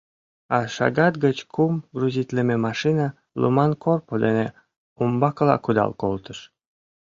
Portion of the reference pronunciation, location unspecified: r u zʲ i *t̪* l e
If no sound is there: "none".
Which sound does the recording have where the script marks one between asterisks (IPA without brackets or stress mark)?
t̪